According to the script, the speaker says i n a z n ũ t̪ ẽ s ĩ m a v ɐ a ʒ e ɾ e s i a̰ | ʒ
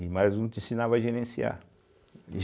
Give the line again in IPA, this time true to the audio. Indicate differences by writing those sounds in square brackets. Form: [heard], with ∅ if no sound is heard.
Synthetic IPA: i [m] a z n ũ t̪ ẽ s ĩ [n] a v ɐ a ʒ e ɾ [ẽ] s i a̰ | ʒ